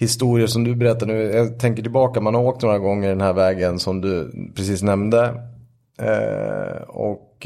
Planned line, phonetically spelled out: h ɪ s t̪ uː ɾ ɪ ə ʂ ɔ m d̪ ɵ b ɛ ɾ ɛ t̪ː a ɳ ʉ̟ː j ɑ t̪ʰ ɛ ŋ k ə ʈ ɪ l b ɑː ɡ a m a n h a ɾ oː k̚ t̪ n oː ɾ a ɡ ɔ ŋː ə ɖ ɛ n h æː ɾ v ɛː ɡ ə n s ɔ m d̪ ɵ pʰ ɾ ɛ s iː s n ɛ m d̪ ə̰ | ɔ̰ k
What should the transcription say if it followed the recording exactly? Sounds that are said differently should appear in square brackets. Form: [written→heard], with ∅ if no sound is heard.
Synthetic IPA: h ɪ s t̪ uː ɾ ɪ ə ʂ ɔ m d̪ ɵ b ɛ ɾ ɛ t̪ː a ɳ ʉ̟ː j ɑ t̪ʰ ɛ ŋ k ə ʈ ɪ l b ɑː [ɡ→k] a m a n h a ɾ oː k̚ t̪ n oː ɾ a ɡ ɔ ŋː ə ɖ ɛ n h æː ɾ v ɛː ɡ ə n s ɔ m d̪ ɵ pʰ ɾ ɛ s iː s n ɛ m d̪ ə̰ | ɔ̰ k